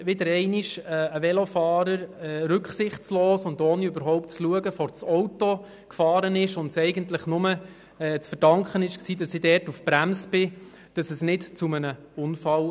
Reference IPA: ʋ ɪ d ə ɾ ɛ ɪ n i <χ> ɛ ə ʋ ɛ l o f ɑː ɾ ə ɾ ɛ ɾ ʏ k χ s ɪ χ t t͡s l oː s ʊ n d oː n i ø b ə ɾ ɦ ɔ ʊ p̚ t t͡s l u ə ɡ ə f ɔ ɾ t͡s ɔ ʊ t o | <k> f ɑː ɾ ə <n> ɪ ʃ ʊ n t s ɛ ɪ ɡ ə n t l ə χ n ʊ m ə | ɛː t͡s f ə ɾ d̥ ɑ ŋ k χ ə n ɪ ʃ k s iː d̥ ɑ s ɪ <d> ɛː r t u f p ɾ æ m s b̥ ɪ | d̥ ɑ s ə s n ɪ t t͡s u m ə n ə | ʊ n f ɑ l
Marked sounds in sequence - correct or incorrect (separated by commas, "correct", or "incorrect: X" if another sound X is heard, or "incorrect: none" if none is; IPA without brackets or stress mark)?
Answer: incorrect: ʃ, correct, correct, correct